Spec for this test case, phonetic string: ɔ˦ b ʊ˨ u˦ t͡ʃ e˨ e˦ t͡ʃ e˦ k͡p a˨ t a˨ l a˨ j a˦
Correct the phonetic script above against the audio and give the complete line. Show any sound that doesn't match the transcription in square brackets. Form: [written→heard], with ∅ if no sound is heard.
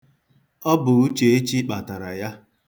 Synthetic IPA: ɔ˦ b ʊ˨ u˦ t͡ʃ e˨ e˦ t͡ʃ [e˦→i˦] k͡p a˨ t a˨ [l→ɾ] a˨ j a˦

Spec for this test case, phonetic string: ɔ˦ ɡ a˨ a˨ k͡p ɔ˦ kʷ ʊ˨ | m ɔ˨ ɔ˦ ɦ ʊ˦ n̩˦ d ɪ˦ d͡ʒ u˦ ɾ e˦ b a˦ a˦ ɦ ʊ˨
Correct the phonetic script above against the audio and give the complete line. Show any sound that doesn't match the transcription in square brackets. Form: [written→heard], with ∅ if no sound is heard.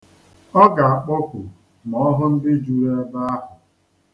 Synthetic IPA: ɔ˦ ɡ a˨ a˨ k͡p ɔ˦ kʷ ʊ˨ | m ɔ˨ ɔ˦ ɦ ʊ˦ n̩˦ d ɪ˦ d͡ʒ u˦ ɾ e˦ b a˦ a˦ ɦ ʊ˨

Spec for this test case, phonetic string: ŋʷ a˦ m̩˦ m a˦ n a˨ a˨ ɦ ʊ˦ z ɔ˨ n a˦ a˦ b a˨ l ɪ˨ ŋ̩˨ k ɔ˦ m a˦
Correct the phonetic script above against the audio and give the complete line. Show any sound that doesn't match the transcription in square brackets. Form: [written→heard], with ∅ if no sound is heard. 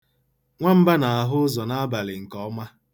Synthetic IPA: ŋʷ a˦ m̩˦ [m→b] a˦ n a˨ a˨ ɦ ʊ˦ z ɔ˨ n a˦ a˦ b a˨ l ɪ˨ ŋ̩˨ k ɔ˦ m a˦

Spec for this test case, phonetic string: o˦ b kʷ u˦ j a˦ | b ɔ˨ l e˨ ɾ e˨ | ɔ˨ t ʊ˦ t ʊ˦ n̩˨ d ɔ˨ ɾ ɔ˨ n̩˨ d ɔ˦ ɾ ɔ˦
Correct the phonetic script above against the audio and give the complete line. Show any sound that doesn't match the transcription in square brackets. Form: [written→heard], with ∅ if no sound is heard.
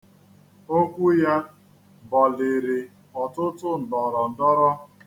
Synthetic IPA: o˦ [b→∅] kʷ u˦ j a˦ | b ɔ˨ l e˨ ɾ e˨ | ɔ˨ t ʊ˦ t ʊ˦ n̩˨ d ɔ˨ ɾ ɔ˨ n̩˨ d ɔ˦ ɾ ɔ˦

